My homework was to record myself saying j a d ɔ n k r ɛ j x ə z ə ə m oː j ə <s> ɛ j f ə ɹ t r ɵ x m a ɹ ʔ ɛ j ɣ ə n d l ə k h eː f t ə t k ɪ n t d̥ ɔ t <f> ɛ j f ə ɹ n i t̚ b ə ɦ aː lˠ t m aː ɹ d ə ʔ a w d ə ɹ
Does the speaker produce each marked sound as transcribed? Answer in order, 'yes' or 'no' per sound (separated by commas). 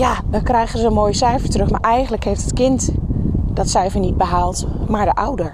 yes, no